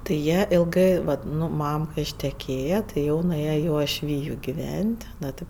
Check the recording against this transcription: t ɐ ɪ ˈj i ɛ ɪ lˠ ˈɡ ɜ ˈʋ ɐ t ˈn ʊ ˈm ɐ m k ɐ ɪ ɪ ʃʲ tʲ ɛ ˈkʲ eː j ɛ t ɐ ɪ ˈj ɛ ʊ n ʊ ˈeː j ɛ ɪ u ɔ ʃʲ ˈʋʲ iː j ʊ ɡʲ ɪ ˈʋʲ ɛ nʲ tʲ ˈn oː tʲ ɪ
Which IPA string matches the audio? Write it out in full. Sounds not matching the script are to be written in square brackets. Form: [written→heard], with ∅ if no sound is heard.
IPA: t ɐ ɪ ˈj i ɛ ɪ lˠ ˈɡ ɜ ˈʋ ɐ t ˈn ʊ ˈm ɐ m k ɐ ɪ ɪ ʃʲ tʲ ɛ ˈkʲ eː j ɛ t ɐ ɪ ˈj ɛ ʊ n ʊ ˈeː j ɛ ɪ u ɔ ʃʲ ˈʋʲ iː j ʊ ɡʲ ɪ ˈʋʲ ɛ nʲ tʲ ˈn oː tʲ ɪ